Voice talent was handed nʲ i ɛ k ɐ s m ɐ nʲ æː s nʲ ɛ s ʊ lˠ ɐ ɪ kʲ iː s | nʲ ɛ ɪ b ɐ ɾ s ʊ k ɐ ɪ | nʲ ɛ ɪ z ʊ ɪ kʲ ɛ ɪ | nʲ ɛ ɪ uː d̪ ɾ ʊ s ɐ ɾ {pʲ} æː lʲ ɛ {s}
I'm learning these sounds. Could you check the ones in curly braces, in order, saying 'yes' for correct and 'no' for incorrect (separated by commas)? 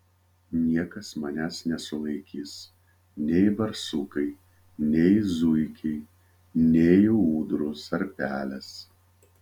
yes, yes